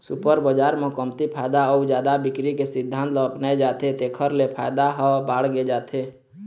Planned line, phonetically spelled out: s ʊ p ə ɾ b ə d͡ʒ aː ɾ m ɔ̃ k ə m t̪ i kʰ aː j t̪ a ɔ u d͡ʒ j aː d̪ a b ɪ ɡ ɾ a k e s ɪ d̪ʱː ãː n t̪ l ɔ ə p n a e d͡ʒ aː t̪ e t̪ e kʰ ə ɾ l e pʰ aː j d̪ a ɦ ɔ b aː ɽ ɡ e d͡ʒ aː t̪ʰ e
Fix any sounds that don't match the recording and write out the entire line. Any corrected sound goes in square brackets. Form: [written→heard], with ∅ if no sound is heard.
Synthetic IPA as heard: s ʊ p ə ɾ b ə d͡ʒ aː ɾ m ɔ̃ k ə m t̪ i [kʰ→pʰ] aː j [t̪→d̪] a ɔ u d͡ʒ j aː d̪ a b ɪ [ɡ→k] ɾ [a→i] k e s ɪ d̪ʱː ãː n t̪ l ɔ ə p n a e d͡ʒ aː t̪ e t̪ e kʰ ə ɾ l e pʰ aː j d̪ a ɦ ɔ b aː ɽ ɡ e d͡ʒ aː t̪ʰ e